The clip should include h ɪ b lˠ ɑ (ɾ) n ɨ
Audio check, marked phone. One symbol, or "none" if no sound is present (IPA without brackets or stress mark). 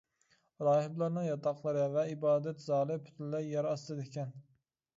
ɾ